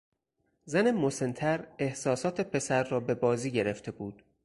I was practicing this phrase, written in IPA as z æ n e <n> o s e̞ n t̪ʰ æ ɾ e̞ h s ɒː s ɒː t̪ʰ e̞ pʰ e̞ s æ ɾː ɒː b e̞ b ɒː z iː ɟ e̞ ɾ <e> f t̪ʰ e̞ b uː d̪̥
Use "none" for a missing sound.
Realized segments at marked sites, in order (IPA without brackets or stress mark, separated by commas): m, e